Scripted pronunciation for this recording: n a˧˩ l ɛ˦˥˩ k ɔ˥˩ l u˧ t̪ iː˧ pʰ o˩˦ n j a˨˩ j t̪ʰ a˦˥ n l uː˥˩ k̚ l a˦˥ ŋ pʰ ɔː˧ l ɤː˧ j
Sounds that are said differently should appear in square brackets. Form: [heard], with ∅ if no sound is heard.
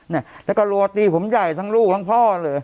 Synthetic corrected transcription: n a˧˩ l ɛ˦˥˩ k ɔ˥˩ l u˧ t̪ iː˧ pʰ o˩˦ [m] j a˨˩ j t̪ʰ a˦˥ [ŋ] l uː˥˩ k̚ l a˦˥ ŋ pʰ [ɔː˥˩] l ɤː˧ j